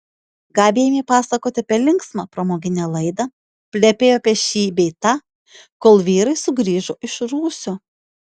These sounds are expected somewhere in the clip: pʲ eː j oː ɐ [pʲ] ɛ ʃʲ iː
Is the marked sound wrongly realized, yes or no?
no